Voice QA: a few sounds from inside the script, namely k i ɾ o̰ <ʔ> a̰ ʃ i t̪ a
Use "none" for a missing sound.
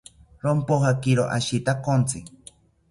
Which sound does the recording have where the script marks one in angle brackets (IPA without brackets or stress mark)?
ʔ